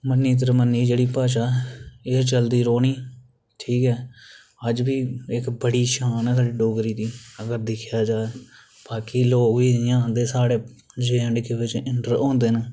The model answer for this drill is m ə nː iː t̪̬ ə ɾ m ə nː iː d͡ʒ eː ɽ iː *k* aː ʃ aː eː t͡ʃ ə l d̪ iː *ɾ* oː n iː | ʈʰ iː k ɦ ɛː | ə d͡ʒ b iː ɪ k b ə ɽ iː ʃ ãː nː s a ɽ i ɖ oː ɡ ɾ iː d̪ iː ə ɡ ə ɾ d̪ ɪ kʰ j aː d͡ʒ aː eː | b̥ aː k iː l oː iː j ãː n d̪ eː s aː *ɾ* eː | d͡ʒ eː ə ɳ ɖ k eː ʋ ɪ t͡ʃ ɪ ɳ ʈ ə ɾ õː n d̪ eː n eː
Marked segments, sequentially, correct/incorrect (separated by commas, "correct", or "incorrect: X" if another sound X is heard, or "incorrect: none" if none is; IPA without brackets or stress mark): incorrect: p, correct, incorrect: ɽ